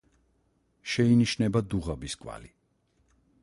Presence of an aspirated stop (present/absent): absent